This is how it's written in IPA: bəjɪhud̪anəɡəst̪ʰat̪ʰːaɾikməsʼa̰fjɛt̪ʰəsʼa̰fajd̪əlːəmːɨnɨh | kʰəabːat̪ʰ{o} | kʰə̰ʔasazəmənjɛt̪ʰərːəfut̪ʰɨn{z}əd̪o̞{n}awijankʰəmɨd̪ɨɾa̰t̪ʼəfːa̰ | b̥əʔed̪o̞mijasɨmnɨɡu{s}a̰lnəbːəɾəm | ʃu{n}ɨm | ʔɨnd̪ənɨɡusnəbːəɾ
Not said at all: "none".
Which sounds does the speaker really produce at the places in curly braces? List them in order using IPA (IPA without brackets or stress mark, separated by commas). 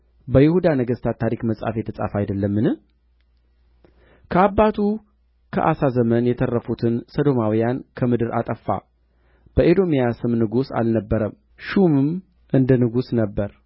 u, s, m, s, m